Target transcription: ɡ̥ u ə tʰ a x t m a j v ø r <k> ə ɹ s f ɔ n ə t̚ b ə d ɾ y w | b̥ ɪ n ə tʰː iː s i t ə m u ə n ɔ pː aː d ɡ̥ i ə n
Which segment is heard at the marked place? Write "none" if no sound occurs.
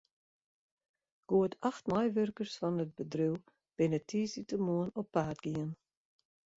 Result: k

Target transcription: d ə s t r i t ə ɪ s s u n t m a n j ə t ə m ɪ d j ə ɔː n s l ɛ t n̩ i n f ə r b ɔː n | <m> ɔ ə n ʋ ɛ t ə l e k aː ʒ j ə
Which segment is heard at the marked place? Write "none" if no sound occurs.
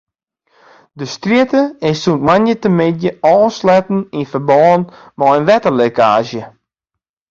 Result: m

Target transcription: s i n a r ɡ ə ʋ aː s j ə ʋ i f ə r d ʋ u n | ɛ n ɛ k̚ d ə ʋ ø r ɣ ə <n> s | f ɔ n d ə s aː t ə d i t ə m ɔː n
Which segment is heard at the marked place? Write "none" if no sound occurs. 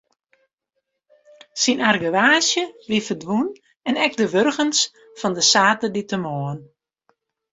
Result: n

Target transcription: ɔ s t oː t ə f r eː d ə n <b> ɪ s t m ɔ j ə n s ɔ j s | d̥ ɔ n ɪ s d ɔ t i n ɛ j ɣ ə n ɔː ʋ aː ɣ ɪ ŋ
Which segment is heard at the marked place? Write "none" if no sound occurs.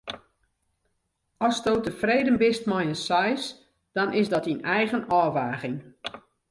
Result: b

